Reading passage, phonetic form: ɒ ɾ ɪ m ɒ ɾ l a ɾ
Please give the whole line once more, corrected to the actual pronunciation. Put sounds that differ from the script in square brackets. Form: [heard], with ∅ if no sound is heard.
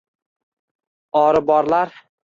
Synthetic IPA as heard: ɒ ɾ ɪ [b] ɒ ɾ l a ɾ